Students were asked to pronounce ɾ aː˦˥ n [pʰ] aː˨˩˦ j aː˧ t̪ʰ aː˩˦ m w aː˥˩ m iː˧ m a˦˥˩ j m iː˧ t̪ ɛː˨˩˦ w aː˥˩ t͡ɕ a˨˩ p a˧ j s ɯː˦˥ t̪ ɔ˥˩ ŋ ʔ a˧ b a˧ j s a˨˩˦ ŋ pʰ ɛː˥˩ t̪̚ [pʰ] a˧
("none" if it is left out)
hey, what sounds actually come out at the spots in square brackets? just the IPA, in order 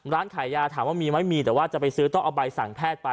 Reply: kʰ, p

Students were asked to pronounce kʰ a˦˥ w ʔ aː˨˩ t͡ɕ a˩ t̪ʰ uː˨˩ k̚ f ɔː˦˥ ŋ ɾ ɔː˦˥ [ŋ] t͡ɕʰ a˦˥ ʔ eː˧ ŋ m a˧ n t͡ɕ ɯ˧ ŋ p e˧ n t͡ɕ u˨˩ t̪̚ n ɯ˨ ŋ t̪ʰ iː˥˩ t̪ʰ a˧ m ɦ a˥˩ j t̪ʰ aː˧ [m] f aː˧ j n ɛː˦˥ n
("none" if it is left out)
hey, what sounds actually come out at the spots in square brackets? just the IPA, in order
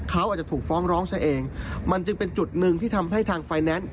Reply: ŋ, ŋ

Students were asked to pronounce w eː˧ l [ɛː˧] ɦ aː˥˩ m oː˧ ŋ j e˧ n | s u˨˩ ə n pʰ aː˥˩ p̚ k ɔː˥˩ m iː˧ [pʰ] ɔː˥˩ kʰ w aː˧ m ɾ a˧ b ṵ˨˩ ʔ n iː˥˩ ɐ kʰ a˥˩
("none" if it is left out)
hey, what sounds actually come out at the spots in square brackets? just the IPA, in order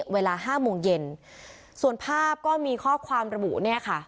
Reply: aː˧, kʰ

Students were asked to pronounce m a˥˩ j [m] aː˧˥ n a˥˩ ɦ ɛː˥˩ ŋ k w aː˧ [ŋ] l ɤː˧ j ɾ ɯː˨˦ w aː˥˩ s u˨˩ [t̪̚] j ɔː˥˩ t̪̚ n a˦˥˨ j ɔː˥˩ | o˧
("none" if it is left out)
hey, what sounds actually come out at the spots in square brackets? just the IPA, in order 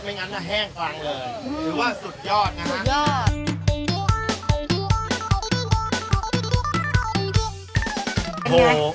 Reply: ŋ, ŋ, t̪̚

